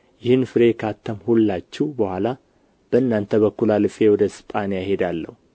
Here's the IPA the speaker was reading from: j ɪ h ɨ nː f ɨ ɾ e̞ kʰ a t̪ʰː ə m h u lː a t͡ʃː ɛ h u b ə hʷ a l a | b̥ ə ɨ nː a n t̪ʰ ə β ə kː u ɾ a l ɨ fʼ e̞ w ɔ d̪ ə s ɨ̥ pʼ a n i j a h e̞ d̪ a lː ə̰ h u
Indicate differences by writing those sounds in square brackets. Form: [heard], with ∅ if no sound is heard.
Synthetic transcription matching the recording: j ɪ h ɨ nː f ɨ ɾ e̞ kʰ a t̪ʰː ə m h u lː a t͡ʃː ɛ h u b ə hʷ a l a | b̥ ə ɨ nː a n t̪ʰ ə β ə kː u [l] a l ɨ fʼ e̞ w ɔ d̪ ə s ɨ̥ pʼ a n i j a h e̞ d̪ a lː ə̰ h u